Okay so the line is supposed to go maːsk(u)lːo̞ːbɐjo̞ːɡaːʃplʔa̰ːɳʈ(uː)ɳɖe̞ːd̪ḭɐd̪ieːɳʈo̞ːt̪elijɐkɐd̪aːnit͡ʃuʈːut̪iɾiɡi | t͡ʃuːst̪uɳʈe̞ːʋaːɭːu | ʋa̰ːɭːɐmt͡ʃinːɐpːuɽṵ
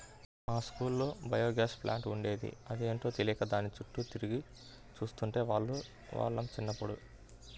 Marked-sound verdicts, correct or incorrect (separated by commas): incorrect, incorrect